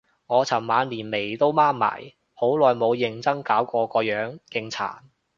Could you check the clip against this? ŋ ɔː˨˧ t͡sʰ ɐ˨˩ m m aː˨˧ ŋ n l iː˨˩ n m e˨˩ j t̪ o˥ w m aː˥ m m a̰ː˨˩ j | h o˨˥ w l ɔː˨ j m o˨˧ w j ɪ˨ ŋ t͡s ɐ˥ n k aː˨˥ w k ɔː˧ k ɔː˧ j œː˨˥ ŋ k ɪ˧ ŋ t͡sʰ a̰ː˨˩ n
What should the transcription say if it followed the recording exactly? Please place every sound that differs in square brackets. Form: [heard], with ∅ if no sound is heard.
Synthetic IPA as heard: ŋ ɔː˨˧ t͡sʰ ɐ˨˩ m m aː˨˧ [∅] n l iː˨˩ n m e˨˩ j t̪ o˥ w m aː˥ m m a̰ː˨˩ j | h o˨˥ w l ɔː˨ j m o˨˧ w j ɪ˨ ŋ t͡s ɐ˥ [ŋ] k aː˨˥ w k ɔː˧ k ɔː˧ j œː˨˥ ŋ k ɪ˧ ŋ t͡sʰ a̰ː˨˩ n

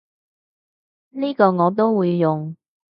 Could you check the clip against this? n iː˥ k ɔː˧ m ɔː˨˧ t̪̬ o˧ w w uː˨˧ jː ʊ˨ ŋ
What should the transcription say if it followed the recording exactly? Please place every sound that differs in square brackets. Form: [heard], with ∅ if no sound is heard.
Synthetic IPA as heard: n iː˥ k ɔː˧ [ŋ] ɔː˨˧ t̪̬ [o˥] w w uː˨˧ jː ʊ˨ ŋ

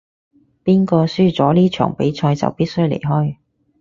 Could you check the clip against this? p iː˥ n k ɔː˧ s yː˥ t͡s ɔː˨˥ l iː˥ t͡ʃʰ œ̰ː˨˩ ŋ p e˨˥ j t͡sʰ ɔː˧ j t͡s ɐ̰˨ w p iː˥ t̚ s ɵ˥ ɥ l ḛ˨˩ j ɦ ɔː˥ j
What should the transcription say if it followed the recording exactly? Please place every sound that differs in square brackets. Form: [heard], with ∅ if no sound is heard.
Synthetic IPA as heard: p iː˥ n k ɔː˧ s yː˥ t͡s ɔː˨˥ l iː˥ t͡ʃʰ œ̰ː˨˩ ŋ p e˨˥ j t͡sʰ ɔː˧ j t͡s ɐ̰˨ w p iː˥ t̚ s ɵ˥ ɥ l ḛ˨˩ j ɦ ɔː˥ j

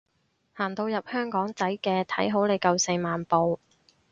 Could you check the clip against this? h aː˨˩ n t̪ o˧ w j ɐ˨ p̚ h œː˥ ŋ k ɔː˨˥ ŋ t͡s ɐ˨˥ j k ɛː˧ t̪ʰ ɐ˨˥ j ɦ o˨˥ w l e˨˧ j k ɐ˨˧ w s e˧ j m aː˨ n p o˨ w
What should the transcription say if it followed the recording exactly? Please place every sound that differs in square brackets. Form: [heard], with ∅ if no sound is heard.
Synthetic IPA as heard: h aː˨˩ n t̪ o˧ w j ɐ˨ p̚ h œː˥ ŋ k ɔː˨˥ ŋ t͡s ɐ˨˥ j k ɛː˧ t̪ʰ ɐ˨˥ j ɦ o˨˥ w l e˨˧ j k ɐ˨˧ w s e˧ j m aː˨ n p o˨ w

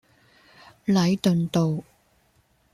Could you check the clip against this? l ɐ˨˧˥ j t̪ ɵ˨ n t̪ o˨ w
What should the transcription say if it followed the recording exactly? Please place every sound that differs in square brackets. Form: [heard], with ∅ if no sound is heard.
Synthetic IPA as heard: l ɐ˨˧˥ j t̪ ɵ˨ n t̪ o˨ w

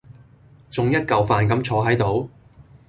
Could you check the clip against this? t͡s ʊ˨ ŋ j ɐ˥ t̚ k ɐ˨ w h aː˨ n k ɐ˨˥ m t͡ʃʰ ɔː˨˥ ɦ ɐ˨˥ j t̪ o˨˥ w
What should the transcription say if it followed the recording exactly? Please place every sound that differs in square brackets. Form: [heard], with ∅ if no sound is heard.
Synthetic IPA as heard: t͡s ʊ˨ ŋ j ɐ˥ t̚ k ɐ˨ w [f] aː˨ n k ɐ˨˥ m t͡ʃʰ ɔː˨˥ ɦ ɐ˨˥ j t̪ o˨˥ w

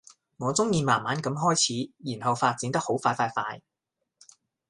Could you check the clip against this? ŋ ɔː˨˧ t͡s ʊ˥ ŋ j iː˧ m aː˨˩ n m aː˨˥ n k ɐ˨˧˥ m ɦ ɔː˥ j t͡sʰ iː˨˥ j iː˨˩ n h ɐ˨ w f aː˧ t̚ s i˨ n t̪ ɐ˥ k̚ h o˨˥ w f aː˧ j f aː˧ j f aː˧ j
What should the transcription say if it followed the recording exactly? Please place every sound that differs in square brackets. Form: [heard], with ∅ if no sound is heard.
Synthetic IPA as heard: ŋ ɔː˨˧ t͡s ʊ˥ ŋ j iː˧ m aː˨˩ n m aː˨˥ n k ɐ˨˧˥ m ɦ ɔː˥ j t͡sʰ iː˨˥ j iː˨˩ n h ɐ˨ w f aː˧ t̚ [t͡s] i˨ n t̪ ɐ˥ k̚ h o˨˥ w f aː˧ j f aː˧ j f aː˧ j

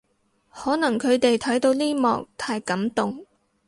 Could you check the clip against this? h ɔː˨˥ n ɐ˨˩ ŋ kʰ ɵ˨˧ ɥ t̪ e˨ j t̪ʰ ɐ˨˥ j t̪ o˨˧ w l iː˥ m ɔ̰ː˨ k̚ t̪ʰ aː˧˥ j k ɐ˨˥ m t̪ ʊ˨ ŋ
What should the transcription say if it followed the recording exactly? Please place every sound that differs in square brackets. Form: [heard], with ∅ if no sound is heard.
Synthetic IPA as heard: h ɔː˨˥ n ɐ˨˩ ŋ kʰ ɵ˨˧ ɥ t̪ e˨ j t̪ʰ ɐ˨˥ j t̪ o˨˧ w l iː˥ m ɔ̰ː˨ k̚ t̪ʰ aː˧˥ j k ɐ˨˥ m t̪ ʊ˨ ŋ

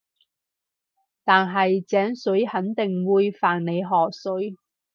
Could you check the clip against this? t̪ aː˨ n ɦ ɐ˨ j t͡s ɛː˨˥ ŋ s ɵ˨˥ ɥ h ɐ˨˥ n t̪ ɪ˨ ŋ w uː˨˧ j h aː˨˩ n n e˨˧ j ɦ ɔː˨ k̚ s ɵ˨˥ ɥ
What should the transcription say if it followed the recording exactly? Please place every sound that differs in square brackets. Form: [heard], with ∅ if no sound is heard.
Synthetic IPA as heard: t̪ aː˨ n ɦ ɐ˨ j t͡s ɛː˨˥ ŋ s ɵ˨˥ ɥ h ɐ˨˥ n t̪ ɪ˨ ŋ w uː˨˧ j [f] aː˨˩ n n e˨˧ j ɦ ɔː˨ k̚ s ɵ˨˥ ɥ

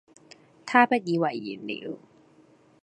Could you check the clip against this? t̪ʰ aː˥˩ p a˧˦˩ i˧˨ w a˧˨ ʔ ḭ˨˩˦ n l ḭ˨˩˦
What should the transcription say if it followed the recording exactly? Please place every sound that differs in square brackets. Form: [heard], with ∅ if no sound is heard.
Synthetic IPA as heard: t̪ʰ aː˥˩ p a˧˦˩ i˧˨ w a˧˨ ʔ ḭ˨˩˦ n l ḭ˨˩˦

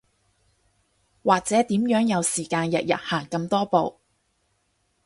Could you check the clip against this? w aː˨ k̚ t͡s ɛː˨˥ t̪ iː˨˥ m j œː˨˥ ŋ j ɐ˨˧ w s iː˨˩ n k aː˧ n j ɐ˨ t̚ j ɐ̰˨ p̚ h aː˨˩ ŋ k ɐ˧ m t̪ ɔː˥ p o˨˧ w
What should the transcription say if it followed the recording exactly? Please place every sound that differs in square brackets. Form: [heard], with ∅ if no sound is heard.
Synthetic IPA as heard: w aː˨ k̚ t͡s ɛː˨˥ t̪ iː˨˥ m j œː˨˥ ŋ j ɐ˨˧ w s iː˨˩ [∅] k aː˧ n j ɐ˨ t̚ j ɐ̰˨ [t̚] h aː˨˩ ŋ k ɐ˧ m t̪ ɔː˥ p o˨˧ w

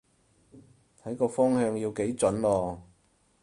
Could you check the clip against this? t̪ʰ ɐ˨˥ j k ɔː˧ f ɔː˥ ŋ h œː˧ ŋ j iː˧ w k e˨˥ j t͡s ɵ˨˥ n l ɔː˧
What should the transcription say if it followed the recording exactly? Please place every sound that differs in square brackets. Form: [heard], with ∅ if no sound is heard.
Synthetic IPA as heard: t̪ʰ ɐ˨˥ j k ɔː˧ f ɔː˥ ŋ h œː˧ ŋ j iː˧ w k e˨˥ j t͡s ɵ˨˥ n l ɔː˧

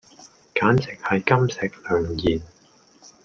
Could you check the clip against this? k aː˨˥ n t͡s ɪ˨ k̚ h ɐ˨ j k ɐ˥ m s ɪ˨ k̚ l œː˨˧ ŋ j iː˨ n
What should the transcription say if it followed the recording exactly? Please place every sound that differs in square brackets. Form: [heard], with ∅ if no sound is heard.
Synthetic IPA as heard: k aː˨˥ n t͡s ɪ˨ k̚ h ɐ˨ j k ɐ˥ m s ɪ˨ k̚ l œː˨˧ ŋ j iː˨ n

